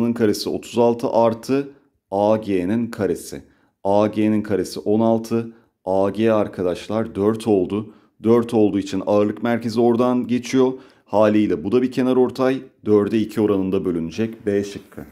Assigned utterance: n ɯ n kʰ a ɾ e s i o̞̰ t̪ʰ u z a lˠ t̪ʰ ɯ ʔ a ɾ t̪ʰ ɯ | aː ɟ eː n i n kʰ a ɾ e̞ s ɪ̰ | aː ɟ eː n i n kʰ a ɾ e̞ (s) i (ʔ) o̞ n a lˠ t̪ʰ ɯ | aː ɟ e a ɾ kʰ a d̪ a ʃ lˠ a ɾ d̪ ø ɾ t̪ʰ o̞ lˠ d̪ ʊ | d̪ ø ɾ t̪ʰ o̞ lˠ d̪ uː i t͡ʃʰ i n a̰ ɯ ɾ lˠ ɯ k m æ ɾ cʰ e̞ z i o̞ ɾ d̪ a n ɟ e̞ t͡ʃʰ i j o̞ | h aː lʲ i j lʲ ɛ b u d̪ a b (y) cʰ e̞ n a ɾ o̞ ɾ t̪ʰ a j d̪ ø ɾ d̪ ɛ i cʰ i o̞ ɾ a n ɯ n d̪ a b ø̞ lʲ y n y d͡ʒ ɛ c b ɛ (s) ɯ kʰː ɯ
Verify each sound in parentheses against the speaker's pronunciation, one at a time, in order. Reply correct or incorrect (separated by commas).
correct, correct, incorrect, incorrect